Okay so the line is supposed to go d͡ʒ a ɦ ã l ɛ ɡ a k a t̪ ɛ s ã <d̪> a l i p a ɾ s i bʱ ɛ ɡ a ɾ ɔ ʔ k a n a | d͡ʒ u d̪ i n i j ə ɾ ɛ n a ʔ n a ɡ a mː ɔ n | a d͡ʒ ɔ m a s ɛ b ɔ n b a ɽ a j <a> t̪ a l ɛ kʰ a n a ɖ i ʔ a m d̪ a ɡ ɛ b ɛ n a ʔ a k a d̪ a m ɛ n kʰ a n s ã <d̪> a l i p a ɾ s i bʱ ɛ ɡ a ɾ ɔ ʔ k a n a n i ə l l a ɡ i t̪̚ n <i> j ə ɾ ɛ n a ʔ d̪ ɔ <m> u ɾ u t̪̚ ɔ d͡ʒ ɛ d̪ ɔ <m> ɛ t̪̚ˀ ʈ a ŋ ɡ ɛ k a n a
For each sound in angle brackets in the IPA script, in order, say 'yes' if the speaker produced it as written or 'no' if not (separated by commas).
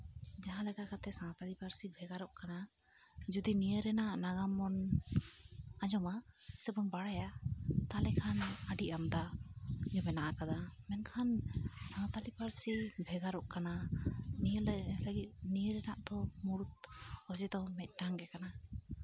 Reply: no, yes, no, yes, yes, yes